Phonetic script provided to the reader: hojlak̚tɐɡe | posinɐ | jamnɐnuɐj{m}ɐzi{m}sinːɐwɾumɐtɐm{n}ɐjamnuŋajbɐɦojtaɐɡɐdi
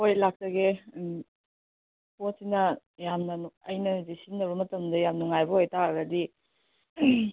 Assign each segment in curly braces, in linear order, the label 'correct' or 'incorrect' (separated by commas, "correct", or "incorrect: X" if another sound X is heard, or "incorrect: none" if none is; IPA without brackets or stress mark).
incorrect: n, incorrect: none, incorrect: d